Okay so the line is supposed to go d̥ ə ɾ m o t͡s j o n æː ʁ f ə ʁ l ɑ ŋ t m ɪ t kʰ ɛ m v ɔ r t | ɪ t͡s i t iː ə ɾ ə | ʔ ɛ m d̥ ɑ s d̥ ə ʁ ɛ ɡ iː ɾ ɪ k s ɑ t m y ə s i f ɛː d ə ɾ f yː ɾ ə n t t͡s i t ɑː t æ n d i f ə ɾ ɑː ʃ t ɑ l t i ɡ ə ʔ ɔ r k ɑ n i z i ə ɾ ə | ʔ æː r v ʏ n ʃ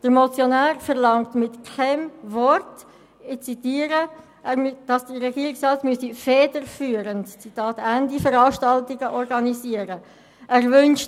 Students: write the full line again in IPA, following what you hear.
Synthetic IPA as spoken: d̥ ə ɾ m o t͡s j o n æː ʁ f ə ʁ l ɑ ŋ t m ɪ t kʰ ɛ m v ɔ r t | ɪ t͡s i t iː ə ɾ ə | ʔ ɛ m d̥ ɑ s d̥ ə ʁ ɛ ɡ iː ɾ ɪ k s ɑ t m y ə s i f ɛː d ə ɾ f yː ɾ ə n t t͡s i t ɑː t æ n d i f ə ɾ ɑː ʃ t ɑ l t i ɡ ə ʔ ɔ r ɡ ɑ n i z i ə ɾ ə | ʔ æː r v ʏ n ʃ